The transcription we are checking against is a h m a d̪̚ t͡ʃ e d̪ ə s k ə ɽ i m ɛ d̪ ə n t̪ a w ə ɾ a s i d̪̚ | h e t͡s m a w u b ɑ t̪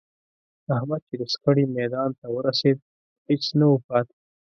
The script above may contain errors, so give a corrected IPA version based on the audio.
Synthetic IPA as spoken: a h m a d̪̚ t͡ʃ e d̪ ə s k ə ɽ i m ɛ d̪ ɑ n t̪ a w ə ɾ a s e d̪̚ | h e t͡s n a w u p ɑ t̪